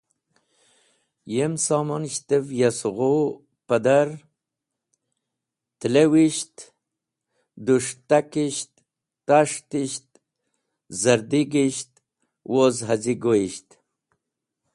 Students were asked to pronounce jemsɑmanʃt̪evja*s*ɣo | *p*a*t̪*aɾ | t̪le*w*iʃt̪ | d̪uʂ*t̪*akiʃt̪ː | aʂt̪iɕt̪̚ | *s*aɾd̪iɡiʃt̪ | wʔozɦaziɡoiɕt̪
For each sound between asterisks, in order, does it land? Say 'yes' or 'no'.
yes, yes, no, yes, yes, no

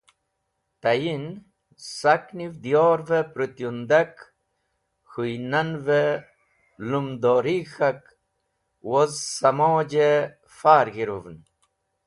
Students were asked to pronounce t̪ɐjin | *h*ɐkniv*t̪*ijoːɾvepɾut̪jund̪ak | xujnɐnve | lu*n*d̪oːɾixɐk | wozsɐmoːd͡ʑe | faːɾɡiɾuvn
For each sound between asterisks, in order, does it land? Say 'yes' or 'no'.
no, no, no

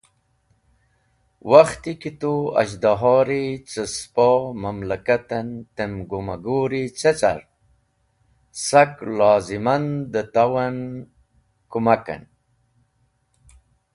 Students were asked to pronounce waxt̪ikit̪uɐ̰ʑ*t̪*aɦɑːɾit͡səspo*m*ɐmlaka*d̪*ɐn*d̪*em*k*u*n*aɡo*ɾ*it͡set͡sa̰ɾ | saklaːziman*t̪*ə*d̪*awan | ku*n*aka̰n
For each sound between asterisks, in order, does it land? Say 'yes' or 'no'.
no, yes, no, no, no, no, yes, no, no, no

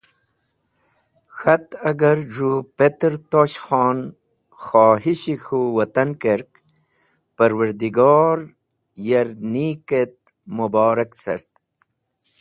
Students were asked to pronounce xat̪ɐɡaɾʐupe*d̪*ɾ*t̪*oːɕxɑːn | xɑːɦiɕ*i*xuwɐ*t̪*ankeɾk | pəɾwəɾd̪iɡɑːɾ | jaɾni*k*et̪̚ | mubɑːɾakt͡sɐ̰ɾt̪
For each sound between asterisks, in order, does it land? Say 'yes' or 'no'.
no, yes, yes, yes, yes

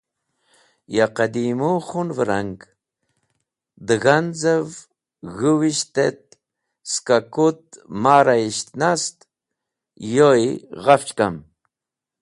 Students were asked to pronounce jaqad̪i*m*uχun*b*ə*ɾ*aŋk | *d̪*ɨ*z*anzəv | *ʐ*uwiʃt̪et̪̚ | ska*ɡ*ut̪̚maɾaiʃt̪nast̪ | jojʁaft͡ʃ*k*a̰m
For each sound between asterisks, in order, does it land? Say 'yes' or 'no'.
yes, no, yes, yes, no, no, no, yes

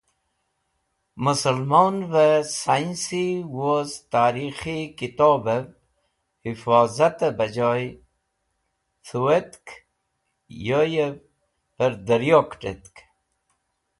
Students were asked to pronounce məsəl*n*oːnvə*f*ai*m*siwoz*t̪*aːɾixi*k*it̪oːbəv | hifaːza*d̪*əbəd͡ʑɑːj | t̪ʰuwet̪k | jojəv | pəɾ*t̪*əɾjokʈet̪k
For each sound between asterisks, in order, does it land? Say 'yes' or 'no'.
no, no, no, yes, yes, no, no

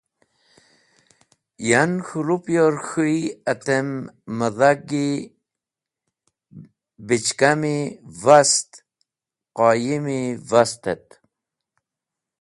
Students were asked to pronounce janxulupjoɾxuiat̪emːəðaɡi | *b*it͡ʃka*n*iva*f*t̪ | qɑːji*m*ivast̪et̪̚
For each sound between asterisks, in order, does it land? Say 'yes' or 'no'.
yes, no, no, yes

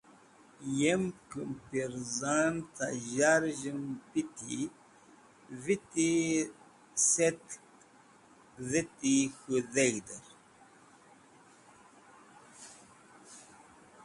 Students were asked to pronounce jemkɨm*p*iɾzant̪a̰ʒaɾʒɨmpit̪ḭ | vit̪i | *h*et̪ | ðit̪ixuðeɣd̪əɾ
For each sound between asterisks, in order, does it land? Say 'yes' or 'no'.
yes, no

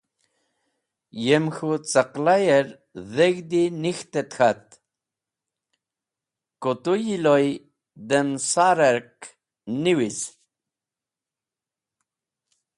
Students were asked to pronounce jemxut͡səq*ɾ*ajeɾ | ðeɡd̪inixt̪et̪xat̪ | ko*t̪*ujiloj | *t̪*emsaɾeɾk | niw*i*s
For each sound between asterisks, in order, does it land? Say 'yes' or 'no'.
no, yes, no, yes

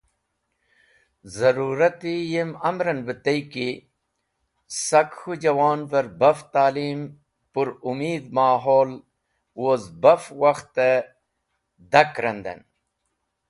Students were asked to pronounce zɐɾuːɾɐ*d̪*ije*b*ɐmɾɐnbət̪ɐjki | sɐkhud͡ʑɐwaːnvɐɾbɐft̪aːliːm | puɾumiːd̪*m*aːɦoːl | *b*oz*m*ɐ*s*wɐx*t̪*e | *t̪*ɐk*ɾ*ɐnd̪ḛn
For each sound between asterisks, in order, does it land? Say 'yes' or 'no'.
no, no, yes, no, no, no, yes, no, yes

